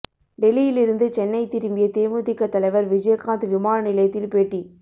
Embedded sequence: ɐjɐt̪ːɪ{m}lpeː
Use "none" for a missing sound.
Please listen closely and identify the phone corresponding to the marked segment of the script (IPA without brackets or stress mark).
none